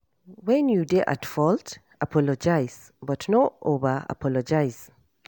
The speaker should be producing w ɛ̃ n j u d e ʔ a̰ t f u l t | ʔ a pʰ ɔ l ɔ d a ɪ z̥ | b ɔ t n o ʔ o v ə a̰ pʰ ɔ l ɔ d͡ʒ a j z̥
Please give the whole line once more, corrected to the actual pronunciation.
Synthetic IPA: w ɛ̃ n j u d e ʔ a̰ t f ɔ l t | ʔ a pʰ ɔ l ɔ d͡ʒ a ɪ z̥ | b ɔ t n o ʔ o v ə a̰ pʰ ɔ l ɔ d͡ʒ a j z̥